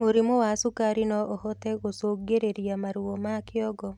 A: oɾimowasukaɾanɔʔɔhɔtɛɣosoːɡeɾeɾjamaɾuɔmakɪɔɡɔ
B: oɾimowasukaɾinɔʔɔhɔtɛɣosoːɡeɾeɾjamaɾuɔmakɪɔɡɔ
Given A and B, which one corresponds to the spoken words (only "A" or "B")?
B